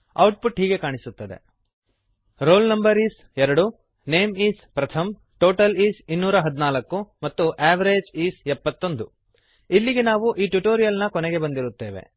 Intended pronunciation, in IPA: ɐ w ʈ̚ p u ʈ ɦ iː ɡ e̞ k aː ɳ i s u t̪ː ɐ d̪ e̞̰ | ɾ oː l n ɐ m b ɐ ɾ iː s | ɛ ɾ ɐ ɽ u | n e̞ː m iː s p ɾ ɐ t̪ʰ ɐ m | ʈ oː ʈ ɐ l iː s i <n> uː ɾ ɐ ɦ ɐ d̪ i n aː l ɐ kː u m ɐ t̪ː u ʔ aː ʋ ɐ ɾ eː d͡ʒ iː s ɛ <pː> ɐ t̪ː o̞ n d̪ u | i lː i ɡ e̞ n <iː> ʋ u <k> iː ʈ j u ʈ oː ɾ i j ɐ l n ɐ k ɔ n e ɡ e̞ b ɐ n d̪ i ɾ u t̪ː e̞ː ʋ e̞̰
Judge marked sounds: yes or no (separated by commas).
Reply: no, yes, no, no